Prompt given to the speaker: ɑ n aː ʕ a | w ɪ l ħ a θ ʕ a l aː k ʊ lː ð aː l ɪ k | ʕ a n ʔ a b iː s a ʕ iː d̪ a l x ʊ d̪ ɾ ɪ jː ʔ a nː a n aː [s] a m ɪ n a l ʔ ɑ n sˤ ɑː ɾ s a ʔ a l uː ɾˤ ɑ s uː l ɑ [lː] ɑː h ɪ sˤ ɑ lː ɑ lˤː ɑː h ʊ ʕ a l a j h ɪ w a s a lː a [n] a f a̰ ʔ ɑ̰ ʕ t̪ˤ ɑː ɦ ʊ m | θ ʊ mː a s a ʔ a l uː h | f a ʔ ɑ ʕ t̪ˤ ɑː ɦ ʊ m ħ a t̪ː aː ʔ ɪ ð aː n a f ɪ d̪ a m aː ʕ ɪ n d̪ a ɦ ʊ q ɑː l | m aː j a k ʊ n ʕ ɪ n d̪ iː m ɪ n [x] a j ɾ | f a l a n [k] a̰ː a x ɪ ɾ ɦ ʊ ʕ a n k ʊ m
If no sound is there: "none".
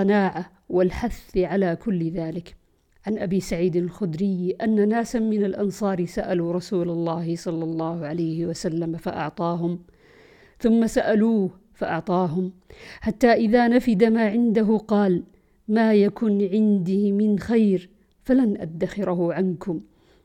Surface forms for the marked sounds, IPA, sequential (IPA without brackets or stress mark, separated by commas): s, lː, m, x, ʔ